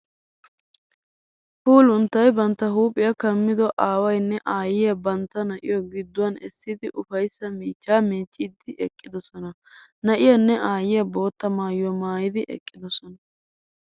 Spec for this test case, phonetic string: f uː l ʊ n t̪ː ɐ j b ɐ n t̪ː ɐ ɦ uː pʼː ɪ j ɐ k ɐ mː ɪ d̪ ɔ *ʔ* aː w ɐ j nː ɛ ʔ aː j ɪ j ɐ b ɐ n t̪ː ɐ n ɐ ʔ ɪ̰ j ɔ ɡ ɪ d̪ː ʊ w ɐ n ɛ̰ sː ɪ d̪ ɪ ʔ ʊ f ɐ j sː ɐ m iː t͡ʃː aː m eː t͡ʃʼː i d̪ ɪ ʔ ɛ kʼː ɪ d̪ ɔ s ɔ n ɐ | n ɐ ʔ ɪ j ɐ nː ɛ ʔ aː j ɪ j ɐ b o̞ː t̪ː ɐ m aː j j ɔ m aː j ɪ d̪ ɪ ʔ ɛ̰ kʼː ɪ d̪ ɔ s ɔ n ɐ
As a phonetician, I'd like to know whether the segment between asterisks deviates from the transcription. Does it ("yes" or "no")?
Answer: no